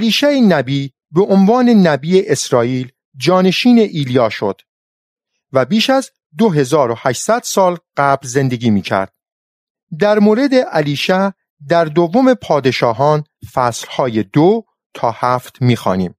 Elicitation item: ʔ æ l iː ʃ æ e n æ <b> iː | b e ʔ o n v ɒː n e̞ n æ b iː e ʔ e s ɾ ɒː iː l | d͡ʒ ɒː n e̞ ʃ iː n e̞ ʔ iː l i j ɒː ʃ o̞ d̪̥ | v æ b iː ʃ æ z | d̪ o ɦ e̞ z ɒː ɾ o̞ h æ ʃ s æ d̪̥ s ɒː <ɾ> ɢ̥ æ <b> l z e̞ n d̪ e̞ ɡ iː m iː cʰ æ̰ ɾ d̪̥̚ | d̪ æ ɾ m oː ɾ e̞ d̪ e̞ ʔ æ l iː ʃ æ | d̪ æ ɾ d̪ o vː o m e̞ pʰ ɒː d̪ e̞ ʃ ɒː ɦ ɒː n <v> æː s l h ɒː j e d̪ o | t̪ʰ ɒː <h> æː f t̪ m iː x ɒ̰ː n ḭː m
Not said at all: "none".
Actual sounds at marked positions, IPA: b, l, b, f, h

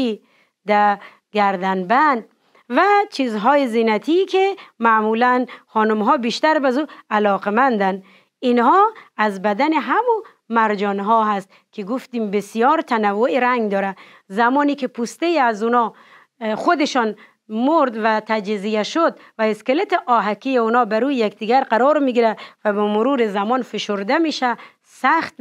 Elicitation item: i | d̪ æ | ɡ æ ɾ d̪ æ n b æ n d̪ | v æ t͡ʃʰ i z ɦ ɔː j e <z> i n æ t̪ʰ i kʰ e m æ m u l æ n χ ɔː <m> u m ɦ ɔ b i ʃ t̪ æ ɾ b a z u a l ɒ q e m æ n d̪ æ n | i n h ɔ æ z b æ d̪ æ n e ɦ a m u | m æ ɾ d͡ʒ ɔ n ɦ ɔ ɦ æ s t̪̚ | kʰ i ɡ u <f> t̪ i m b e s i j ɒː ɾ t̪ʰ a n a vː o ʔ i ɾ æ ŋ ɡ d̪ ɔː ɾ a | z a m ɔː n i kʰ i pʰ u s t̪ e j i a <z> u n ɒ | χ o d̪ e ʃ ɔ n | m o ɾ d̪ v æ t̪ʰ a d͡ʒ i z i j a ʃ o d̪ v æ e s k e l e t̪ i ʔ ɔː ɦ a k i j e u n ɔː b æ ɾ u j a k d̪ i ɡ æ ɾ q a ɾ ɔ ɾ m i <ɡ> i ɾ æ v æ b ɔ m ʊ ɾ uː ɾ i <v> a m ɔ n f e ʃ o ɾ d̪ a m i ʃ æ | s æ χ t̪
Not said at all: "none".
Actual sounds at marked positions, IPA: z, n, f, z, ɡ, z

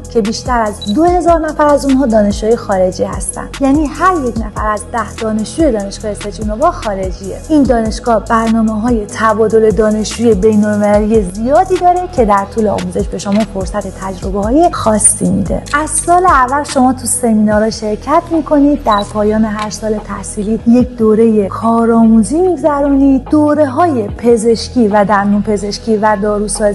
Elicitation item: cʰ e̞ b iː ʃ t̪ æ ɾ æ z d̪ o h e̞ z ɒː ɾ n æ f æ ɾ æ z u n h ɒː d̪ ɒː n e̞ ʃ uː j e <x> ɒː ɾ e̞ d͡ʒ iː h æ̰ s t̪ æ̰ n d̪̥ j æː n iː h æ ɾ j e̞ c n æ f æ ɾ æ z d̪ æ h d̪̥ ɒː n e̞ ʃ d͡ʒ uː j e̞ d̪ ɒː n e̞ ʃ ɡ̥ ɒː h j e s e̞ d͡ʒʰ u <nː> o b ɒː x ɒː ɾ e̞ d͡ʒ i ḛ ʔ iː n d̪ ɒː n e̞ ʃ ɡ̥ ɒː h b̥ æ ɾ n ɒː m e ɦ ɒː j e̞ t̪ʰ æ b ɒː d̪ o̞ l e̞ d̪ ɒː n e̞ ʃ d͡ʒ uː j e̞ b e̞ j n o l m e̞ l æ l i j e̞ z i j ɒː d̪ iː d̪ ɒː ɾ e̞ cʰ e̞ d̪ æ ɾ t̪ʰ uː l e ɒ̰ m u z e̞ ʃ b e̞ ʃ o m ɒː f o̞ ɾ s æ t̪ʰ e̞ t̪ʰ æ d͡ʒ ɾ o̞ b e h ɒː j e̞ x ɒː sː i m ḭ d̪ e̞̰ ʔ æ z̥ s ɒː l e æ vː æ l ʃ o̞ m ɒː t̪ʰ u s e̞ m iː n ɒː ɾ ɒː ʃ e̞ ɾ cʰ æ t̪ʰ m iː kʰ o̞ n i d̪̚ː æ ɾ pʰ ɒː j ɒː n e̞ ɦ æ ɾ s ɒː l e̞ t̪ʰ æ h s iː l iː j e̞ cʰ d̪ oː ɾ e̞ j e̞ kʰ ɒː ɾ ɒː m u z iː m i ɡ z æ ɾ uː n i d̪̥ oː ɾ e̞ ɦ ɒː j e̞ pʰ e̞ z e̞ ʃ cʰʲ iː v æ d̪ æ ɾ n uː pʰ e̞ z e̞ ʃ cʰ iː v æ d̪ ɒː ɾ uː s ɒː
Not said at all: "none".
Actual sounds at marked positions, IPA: x, n

